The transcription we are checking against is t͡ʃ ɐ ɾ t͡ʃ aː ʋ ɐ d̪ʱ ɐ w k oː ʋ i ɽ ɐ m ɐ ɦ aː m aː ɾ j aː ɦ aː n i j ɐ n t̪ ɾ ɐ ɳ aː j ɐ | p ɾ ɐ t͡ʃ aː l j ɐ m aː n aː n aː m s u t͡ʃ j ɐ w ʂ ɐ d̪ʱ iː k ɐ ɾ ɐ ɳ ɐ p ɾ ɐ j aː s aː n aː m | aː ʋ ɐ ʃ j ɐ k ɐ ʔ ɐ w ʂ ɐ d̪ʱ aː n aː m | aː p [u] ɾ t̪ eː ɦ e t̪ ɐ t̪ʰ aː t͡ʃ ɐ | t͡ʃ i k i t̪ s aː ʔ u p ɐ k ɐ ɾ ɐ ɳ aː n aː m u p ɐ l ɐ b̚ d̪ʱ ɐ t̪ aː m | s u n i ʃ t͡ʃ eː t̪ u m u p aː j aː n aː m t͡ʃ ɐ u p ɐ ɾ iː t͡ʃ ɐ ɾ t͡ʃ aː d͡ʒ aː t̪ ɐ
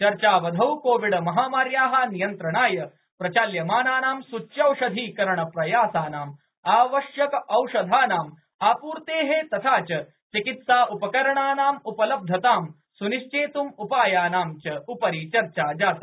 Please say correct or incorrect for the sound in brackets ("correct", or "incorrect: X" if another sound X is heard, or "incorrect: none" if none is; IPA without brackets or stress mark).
incorrect: uː